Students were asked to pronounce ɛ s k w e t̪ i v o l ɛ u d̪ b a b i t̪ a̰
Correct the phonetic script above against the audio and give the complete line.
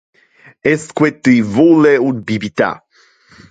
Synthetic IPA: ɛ s k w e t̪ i v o l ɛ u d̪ b i b i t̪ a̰